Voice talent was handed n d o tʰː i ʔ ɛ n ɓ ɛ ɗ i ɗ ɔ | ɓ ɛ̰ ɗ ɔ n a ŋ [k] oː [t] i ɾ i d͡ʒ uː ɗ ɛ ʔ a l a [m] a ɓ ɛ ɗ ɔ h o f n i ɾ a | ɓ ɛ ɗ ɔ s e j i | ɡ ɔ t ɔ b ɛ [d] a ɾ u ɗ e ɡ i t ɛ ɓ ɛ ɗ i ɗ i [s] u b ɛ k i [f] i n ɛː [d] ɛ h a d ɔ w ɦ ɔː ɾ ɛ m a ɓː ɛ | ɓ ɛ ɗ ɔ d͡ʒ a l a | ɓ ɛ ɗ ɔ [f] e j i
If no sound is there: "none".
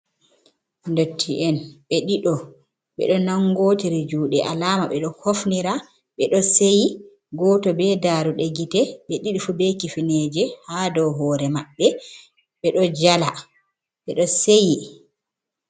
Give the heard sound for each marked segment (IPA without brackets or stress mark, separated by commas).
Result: ɡ, t, m, d, f, f, d͡ʒ, s